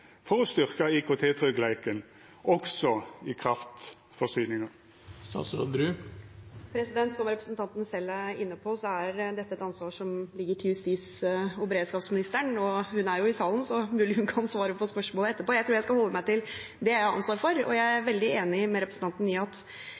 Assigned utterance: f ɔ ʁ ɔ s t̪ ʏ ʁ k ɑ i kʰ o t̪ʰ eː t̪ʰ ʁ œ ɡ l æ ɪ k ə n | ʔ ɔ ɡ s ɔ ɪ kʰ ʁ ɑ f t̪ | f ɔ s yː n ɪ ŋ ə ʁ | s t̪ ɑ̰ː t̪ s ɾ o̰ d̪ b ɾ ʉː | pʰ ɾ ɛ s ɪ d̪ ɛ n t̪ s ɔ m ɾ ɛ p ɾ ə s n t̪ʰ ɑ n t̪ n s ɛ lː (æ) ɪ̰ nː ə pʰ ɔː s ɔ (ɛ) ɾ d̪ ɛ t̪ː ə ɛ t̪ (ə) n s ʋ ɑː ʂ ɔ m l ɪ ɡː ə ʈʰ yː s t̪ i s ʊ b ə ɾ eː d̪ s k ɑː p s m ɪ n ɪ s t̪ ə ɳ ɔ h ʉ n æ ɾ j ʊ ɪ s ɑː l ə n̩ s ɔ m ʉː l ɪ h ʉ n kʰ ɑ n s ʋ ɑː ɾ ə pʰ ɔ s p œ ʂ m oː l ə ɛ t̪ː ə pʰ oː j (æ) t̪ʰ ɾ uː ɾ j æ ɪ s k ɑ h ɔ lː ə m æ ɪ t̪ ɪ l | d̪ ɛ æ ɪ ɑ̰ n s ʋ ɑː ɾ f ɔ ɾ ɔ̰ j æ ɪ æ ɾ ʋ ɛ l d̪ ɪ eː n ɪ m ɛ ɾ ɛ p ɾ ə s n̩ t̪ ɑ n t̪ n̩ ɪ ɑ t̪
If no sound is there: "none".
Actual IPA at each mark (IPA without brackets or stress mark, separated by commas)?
æ, æ, ɑ, æ